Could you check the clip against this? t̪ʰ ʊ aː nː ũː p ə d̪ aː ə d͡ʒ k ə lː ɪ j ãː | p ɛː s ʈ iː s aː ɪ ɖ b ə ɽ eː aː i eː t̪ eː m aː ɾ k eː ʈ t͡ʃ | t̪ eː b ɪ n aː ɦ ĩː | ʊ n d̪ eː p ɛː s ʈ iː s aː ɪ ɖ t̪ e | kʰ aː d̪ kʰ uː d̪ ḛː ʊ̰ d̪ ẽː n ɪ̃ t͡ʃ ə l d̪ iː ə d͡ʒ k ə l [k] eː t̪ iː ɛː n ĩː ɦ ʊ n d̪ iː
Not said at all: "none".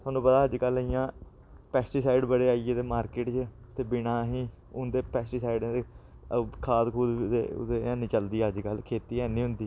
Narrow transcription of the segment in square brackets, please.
kʰ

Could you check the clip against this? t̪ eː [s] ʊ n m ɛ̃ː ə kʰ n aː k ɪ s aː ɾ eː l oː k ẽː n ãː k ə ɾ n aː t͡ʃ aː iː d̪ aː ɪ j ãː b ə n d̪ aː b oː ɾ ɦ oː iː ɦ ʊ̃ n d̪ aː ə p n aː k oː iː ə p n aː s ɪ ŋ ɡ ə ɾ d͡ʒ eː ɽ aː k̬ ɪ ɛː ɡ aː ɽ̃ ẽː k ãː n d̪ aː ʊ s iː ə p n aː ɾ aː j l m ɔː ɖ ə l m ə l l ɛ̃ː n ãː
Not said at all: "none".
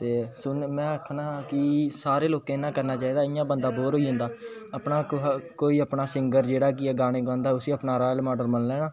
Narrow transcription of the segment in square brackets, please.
s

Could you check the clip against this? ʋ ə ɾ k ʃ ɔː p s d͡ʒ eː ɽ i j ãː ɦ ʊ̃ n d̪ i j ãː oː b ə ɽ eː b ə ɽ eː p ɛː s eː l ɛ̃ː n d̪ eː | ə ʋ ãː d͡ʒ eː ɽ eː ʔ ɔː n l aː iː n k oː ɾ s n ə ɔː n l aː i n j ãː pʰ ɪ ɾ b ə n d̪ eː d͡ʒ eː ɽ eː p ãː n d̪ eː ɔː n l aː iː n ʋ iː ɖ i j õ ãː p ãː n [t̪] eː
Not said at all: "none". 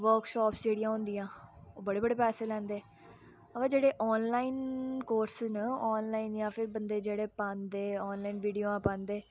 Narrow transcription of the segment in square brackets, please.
d̪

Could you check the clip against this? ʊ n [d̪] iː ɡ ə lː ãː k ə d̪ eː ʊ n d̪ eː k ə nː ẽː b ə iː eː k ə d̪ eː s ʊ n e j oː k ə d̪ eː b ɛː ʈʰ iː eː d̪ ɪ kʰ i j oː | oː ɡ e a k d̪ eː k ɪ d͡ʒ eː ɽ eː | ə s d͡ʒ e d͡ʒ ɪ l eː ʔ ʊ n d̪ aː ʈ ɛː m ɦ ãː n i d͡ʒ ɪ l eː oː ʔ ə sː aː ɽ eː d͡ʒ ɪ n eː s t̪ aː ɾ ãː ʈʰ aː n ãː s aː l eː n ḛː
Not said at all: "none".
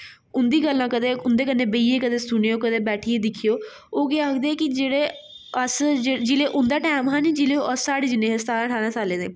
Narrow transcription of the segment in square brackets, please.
d̪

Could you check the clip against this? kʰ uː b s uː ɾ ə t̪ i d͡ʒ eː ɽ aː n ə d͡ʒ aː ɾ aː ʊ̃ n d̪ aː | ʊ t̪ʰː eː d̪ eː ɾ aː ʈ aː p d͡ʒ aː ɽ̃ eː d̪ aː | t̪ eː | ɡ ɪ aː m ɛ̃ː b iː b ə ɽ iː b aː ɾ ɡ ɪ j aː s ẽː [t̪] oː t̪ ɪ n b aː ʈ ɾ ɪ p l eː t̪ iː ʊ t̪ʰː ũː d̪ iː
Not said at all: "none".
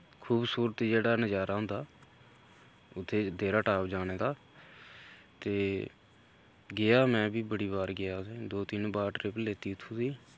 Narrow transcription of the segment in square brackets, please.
d̪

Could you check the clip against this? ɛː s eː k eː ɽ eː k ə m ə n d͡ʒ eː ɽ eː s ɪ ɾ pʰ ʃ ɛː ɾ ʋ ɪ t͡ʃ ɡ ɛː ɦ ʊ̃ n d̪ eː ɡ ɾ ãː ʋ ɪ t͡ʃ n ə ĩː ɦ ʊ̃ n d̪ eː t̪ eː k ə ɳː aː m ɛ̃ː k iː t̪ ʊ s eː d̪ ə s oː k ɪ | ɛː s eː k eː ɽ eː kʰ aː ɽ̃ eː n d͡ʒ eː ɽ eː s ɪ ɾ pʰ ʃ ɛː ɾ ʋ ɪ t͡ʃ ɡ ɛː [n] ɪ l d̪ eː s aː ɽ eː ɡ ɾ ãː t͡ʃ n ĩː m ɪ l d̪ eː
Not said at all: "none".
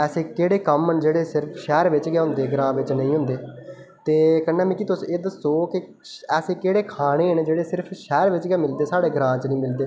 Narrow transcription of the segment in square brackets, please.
m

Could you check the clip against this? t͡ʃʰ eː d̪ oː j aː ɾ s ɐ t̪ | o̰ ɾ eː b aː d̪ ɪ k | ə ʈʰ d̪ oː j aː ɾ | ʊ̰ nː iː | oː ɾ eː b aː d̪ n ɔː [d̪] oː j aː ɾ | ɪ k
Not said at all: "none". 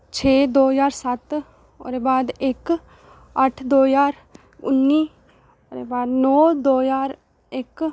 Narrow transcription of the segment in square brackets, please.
d̪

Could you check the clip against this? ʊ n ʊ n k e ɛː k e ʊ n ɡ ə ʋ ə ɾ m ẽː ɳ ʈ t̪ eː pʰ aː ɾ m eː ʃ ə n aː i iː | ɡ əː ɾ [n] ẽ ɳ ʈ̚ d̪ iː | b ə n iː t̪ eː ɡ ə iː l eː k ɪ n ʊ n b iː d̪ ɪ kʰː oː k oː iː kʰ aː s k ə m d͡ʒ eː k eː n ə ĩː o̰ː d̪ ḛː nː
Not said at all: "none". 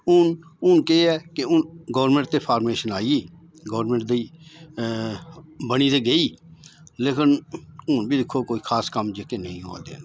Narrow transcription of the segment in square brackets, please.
m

